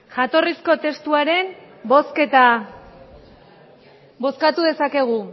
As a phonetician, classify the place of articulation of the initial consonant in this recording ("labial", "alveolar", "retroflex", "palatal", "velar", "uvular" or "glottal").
palatal